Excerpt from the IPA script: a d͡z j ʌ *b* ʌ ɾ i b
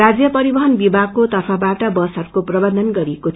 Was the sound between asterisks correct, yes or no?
no